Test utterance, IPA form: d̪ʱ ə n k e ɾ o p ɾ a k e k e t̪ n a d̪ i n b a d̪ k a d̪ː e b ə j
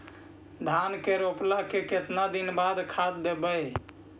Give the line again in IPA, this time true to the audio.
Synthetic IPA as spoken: d̪ʱ a n k e ɾ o p l a k e k e t̪ n a d̪ i n b a d̪ kʰ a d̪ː e b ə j